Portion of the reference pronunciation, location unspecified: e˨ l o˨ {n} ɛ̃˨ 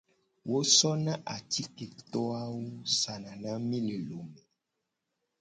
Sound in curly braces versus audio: incorrect: m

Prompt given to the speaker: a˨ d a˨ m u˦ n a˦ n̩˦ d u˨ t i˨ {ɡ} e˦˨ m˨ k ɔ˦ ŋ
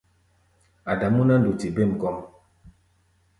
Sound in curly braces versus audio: incorrect: b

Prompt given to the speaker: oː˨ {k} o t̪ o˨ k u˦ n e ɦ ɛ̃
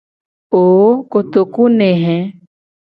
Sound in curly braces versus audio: correct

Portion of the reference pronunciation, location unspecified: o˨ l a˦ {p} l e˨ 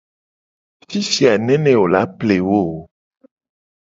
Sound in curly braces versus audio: correct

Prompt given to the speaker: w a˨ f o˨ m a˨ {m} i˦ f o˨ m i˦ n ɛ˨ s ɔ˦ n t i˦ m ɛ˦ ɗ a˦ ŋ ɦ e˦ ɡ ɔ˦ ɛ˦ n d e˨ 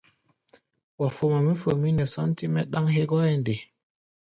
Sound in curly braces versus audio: correct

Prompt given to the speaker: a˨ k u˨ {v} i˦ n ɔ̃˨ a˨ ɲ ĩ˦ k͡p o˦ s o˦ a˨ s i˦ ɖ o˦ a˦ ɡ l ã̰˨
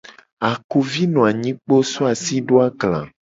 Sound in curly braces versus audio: correct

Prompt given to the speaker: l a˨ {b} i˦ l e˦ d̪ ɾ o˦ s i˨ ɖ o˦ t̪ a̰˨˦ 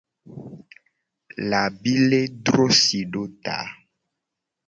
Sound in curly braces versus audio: correct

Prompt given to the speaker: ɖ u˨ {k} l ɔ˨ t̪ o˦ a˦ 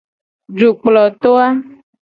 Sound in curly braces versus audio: incorrect: k͡p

